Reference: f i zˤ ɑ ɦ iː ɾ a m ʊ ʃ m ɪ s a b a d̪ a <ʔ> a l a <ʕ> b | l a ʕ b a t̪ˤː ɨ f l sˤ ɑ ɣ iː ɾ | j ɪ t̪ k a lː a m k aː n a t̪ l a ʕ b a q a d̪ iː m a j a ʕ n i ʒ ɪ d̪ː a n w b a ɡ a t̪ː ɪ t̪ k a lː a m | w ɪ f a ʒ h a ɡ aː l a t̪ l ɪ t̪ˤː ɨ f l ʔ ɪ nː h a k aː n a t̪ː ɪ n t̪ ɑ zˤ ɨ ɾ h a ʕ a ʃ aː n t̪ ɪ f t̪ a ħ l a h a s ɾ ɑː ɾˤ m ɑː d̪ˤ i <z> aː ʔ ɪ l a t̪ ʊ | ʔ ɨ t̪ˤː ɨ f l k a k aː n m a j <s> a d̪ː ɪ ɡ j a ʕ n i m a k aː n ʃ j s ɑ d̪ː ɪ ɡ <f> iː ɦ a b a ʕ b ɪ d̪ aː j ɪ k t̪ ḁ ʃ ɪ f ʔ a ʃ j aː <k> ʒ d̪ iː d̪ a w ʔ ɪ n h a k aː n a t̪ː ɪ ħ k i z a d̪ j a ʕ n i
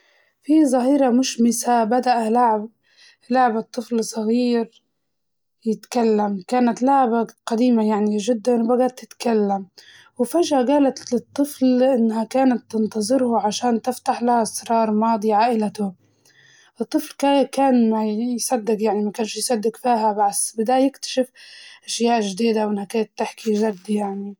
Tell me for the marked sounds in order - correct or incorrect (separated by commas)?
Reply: correct, correct, incorrect, correct, correct, incorrect